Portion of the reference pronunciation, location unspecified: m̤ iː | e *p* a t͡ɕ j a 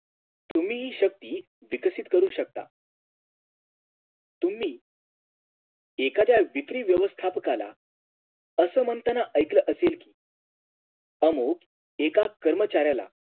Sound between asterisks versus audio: incorrect: k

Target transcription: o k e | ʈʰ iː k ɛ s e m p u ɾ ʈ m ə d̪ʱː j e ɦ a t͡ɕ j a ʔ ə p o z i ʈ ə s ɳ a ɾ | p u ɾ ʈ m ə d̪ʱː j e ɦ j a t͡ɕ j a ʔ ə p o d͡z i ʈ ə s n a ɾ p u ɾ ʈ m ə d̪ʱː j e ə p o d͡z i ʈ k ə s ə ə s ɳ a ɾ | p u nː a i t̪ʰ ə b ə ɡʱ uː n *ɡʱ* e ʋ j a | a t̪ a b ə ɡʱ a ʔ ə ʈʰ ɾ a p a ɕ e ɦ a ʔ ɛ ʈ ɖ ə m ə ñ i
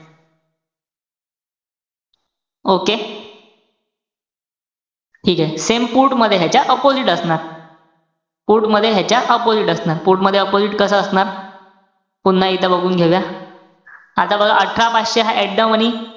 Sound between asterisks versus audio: correct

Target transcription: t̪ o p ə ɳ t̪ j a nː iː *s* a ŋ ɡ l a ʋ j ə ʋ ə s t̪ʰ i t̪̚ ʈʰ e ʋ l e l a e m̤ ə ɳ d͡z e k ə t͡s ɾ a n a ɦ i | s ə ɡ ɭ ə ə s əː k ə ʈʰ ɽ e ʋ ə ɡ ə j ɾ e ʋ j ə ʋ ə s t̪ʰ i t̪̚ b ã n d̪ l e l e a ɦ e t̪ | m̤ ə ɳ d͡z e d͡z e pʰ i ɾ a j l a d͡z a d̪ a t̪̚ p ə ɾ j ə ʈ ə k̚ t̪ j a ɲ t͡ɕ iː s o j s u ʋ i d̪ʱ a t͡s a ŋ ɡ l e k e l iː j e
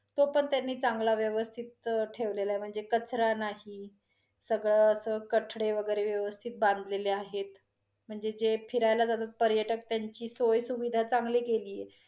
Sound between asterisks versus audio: incorrect: t͡s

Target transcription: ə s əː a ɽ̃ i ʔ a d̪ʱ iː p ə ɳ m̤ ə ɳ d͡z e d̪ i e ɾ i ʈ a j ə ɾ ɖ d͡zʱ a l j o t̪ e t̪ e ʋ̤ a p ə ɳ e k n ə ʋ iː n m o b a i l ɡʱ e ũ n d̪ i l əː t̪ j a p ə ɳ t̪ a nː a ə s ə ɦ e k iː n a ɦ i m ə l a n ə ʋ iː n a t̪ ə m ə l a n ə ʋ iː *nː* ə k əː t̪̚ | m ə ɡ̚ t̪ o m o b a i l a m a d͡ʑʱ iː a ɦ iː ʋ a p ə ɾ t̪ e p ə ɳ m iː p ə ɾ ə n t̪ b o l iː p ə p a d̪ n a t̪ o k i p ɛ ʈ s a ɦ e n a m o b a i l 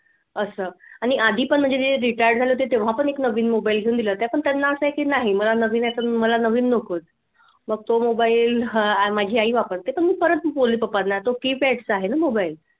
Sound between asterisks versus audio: correct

